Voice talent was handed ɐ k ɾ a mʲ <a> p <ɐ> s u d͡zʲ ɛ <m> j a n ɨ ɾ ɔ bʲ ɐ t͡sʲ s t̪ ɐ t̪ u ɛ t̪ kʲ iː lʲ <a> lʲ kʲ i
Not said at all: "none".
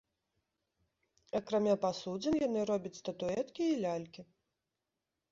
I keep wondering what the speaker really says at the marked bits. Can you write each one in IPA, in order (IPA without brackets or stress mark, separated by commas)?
a, a, n, a